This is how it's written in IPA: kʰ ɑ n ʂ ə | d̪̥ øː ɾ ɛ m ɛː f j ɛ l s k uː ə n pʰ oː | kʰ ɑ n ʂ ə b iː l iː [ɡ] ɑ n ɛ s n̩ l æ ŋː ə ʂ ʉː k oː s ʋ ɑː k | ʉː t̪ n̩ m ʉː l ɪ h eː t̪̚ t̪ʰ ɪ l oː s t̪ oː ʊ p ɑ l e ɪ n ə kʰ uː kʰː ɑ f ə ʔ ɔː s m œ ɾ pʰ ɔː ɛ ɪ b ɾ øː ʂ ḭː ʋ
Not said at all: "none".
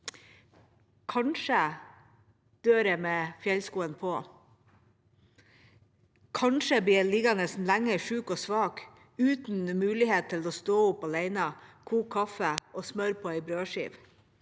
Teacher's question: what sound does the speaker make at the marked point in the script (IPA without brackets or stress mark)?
ɡ